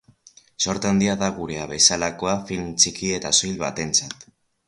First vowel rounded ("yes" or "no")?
yes